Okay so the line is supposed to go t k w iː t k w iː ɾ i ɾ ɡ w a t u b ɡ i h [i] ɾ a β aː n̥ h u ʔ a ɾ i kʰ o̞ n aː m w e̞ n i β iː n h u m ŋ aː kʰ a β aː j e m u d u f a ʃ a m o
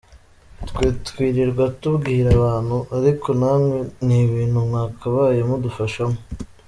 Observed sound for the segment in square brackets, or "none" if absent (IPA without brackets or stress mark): i